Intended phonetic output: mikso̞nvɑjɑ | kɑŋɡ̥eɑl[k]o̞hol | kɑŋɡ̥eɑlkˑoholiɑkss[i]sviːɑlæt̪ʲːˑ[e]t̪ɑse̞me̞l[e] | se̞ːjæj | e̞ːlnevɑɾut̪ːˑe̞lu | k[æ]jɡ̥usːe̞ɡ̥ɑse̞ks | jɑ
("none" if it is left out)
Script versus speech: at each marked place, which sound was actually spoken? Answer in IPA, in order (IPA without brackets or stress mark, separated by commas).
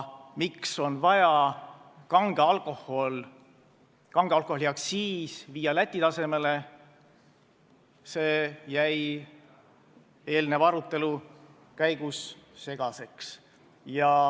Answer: k, iː, i, e, æ